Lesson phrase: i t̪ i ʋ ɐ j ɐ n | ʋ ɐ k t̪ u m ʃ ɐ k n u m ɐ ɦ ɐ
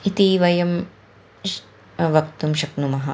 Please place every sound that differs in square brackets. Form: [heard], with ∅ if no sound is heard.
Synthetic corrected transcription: i t̪ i ʋ ɐ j ɐ [m] | ʋ ɐ k t̪ u m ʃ ɐ k n u m ɐ ɦ ɐ